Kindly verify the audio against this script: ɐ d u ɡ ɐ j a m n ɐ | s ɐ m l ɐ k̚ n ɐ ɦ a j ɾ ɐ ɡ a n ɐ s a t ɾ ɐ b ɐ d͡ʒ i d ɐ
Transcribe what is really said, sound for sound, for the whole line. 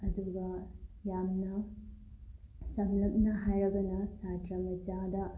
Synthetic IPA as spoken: ɐ d u ɡ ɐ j a m n ɐ | s ɐ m l ɐ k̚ n ɐ ɦ a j ɾ ɐ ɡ ɐ n ɐ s a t ɾ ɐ m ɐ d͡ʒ a d ɐ